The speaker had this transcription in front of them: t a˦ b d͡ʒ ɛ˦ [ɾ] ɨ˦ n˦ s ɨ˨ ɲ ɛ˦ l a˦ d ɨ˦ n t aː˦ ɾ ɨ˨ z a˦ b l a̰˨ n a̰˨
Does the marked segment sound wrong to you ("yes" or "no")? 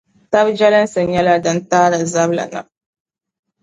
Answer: yes